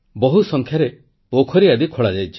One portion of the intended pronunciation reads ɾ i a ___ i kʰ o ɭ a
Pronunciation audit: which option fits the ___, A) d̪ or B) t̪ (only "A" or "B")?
A